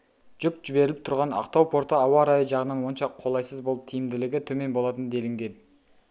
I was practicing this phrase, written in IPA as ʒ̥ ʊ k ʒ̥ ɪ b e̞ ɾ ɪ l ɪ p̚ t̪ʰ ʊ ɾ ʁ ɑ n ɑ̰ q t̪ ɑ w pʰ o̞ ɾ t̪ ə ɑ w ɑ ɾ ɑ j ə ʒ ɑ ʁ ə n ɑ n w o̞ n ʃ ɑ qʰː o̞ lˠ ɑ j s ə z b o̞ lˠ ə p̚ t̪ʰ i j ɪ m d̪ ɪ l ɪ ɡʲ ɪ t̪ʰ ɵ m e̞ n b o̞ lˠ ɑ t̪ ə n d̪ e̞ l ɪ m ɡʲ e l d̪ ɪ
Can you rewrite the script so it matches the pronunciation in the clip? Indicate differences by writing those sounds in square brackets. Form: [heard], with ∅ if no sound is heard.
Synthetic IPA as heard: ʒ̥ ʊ k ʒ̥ ɪ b e̞ ɾ ɪ l ɪ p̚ t̪ʰ ʊ ɾ ʁ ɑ n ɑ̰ q t̪ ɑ w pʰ o̞ ɾ t̪ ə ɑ w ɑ ɾ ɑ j ə ʒ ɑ ʁ ə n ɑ n w o̞ n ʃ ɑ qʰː o̞ lˠ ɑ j s ə z b o̞ lˠ ə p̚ t̪ʰ i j ɪ m d̪ ɪ l ɪ ɡʲ ɪ t̪ʰ ɵ m e̞ n b o̞ lˠ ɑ t̪ ə n d̪ e̞ l ɪ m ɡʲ e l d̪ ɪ